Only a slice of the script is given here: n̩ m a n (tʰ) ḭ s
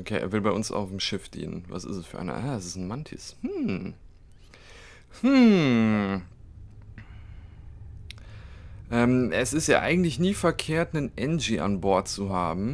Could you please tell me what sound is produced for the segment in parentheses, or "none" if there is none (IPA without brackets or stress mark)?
tʰ